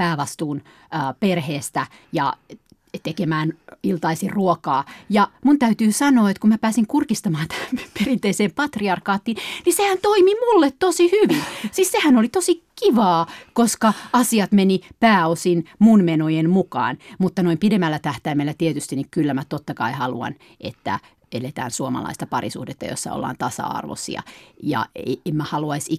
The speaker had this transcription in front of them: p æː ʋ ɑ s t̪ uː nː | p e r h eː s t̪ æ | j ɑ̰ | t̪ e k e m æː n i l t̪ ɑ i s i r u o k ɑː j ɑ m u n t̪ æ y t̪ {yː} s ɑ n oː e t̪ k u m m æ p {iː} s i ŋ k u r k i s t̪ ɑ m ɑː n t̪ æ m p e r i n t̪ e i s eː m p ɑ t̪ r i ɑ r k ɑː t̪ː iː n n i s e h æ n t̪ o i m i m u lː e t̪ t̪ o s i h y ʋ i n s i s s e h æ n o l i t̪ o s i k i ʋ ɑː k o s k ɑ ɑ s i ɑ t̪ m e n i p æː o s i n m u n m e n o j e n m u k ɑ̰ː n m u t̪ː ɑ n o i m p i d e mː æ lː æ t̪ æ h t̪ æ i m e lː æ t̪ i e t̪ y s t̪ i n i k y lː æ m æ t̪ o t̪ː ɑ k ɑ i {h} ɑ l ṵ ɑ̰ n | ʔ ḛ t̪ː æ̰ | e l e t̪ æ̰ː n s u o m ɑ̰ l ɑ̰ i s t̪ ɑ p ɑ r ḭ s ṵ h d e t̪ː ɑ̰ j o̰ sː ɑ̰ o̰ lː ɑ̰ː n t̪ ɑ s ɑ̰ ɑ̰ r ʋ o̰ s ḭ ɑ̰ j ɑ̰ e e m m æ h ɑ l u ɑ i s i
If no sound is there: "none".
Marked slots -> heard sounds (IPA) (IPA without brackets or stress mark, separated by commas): yː, æː, h